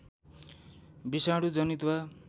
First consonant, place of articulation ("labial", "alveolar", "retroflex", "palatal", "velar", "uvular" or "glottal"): labial